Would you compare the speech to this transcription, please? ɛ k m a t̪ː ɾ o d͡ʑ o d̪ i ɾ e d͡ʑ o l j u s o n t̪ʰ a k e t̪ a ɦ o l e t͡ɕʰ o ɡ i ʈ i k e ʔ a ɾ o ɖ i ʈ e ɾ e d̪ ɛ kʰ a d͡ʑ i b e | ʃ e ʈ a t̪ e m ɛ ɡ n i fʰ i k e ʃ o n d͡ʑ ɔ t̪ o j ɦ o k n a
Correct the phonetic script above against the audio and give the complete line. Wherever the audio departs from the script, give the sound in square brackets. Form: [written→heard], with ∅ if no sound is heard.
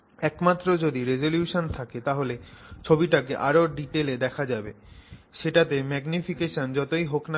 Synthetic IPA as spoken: ɛ k m a t̪ː ɾ o d͡ʑ o d̪ i ɾ e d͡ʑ o l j u [s→ʃ] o n t̪ʰ a k e t̪ a ɦ o l e t͡ɕʰ o [ɡ→b] i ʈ [i→a] k e ʔ a ɾ o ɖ i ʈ e [ɾ→l] e d̪ ɛ kʰ a d͡ʑ [i→a] b e | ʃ e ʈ a t̪ e m ɛ ɡ n i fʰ i k e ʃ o n d͡ʑ ɔ t̪ o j ɦ o k n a